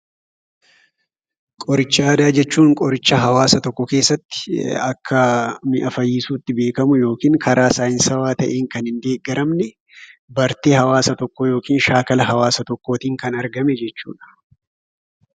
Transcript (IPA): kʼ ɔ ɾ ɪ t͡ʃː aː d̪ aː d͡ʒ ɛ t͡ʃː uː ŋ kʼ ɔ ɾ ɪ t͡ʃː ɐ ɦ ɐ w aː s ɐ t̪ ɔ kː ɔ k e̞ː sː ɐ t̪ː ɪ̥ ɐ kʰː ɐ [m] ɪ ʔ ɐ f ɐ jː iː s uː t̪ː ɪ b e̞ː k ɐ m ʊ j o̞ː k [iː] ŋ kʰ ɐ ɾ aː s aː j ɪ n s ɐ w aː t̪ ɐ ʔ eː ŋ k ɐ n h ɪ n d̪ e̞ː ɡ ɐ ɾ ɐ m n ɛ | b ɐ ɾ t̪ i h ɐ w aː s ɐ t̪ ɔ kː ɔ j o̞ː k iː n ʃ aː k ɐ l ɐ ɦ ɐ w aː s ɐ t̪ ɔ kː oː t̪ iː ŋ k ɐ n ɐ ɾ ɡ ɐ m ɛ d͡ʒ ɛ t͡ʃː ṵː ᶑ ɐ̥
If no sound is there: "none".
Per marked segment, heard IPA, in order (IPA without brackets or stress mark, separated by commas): m, iː